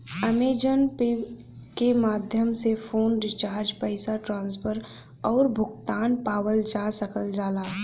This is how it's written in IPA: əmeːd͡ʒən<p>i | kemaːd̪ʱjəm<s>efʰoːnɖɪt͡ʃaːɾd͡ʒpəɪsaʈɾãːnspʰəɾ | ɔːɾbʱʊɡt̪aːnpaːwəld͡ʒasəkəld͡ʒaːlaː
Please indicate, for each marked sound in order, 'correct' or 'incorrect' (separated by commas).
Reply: correct, correct